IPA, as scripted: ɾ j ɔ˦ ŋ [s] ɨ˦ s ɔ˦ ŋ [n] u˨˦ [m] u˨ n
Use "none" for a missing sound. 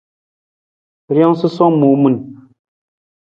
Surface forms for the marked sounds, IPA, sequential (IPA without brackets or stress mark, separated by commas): s, m, m